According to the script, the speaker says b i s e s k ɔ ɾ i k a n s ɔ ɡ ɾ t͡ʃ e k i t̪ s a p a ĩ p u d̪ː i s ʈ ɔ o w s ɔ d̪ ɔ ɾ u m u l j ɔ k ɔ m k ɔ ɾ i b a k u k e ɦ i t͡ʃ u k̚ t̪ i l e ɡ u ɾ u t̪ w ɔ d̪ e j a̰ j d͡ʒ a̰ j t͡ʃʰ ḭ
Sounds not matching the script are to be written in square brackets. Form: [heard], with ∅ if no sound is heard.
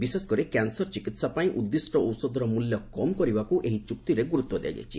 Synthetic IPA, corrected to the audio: b i s e s k ɔ ɾ i k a n s ɔ [∅] ɾ t͡ʃ [i] k i t̪ s a p a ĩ [ʔ] u d̪ː i s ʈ ɔ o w s ɔ d̪ ɔ ɾ [ɔ] m u l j ɔ k ɔ m k ɔ ɾ i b a k u [ʔ] e ɦ i t͡ʃ u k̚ t̪ i [ɾ] e ɡ u ɾ u t̪ w ɔ d̪ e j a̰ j d͡ʒ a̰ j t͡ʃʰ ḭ